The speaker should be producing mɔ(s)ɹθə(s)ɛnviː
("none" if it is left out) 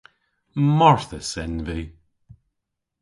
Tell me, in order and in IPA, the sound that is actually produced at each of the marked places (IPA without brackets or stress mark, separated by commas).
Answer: none, s